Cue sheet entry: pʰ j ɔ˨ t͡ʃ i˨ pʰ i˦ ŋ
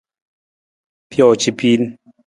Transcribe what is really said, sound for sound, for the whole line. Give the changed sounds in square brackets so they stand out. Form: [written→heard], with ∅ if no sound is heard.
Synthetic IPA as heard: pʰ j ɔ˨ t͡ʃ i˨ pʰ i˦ [ŋ→n]